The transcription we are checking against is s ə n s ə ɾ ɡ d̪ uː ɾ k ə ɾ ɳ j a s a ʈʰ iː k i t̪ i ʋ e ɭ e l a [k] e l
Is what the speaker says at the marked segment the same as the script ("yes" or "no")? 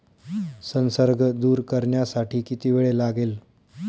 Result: no